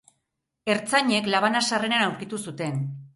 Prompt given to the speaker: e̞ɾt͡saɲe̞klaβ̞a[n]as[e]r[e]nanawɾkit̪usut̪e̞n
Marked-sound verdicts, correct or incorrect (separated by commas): correct, incorrect, correct